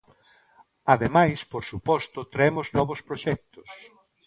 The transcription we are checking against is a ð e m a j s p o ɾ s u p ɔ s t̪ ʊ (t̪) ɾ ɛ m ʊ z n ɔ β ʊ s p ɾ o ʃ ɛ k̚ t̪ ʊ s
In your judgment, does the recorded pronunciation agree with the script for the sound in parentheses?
yes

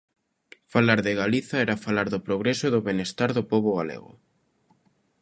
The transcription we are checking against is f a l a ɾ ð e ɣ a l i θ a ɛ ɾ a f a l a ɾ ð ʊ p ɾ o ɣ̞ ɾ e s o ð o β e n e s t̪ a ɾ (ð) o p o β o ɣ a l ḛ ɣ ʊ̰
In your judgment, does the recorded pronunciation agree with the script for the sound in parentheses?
yes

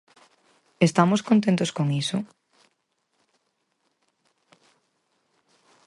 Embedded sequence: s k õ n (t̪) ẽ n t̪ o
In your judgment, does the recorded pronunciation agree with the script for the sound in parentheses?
yes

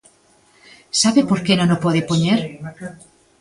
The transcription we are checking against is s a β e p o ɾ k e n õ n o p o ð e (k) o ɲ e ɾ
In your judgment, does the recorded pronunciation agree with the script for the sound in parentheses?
no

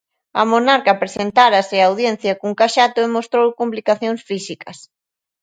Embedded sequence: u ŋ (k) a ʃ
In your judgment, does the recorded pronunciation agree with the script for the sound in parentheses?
yes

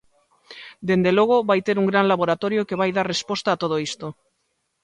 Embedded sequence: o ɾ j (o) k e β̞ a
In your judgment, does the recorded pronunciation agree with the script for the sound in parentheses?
yes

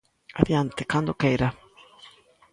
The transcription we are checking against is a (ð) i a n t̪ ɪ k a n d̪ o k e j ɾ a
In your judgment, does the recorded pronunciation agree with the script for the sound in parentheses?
yes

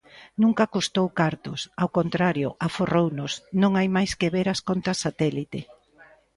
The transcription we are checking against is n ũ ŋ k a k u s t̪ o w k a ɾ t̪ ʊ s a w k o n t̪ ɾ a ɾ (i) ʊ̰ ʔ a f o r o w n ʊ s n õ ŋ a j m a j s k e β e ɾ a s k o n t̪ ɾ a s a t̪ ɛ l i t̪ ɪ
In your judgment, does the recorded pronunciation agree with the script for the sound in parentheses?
no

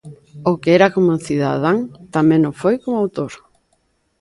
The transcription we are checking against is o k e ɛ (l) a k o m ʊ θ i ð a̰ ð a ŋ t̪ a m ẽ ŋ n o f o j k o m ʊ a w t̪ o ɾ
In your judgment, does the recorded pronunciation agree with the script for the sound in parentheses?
no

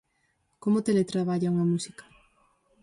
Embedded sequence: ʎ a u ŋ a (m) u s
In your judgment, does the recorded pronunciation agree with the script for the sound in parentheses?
yes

